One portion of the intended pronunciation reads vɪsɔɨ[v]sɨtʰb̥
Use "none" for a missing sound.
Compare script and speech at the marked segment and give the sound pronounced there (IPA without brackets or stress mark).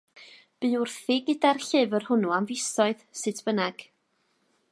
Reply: ð